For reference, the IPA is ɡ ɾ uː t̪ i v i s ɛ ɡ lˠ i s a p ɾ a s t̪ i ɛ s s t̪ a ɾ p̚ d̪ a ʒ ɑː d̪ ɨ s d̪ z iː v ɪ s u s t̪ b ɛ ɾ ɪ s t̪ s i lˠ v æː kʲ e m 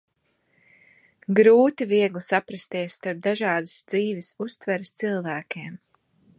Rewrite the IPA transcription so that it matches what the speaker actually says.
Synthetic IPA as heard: ɡ ɾ uː t̪ i v i ɛ ɡ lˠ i s a p ɾ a s t̪ i ɛ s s t̪ a ɾ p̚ d̪ a ʒ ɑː d̪ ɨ s d̪ z iː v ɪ s u s t̪ v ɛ ɾ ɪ s t̪ s i lˠ v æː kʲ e m